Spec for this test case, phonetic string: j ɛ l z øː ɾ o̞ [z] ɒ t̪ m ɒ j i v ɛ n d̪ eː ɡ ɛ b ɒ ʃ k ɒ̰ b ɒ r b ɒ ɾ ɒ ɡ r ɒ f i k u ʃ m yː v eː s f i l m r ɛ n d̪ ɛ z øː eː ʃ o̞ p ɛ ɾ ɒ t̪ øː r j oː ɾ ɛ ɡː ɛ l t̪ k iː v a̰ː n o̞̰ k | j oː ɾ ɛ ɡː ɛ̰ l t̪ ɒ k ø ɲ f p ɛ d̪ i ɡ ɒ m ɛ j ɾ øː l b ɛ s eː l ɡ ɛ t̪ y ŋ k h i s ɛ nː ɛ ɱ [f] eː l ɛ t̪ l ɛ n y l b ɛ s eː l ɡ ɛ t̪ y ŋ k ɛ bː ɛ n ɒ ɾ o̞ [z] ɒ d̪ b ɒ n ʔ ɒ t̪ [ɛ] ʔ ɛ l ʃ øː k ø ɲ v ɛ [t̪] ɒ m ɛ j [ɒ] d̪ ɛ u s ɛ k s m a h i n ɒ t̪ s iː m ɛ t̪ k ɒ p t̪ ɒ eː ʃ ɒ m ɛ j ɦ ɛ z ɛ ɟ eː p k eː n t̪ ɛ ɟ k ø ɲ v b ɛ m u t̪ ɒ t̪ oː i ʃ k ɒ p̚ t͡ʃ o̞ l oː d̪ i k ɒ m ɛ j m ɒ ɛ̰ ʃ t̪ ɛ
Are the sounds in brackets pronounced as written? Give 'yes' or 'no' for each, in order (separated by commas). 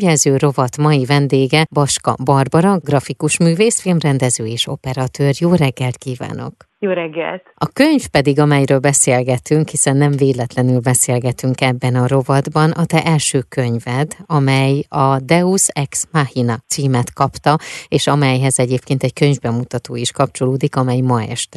no, no, no, yes, no, yes